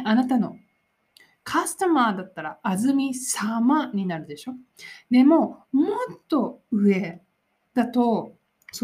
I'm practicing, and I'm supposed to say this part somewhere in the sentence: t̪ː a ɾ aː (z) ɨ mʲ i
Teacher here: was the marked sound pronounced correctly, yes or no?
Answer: yes